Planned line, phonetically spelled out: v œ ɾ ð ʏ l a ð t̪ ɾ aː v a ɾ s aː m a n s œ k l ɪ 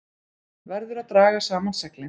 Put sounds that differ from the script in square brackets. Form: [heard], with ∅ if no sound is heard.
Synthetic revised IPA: v [ɛ] ɾ ð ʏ [ɾ] a ð t̪ ɾ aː [ɣ] a [∅] s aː m a n s [ɛ] k l ɪ